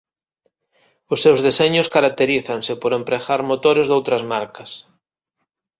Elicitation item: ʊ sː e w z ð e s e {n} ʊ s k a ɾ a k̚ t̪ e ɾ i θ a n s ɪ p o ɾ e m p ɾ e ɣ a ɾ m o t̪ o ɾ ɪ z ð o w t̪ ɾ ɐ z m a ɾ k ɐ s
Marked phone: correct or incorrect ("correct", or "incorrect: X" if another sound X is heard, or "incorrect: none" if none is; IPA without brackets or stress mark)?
incorrect: ɲ